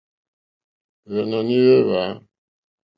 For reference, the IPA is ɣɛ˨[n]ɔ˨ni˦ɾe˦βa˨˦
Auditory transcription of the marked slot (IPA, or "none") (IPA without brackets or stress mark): n